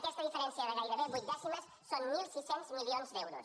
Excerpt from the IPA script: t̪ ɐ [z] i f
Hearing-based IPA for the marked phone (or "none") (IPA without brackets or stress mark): ð